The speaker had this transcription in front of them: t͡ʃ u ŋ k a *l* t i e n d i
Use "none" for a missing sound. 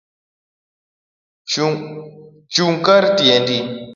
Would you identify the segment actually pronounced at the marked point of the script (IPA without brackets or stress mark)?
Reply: ɾ